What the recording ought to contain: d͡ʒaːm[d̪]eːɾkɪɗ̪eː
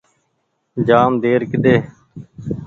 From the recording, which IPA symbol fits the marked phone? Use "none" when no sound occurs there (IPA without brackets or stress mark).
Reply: d̪